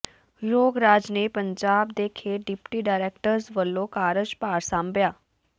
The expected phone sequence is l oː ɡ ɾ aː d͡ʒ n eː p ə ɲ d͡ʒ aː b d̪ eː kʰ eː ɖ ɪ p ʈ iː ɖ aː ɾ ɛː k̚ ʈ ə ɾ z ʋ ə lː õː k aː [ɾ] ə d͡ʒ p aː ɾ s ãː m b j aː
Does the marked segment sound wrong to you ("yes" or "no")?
no